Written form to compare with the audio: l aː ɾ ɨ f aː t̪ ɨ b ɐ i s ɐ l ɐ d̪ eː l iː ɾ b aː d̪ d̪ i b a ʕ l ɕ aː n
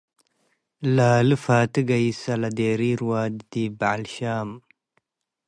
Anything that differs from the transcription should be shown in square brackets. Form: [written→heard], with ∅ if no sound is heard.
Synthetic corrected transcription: l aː [ɾ→l] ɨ f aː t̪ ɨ [b→ɡ] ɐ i s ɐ l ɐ d̪ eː [l→ɾ] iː ɾ [b→w] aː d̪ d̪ i b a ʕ l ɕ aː [n→m]